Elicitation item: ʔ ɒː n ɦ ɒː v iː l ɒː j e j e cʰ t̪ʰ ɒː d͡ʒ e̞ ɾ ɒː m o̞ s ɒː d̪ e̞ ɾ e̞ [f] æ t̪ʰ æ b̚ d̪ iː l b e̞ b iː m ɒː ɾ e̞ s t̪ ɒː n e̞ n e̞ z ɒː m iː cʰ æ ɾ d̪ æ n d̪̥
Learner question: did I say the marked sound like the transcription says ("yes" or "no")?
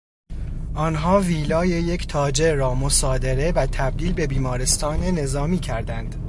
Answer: no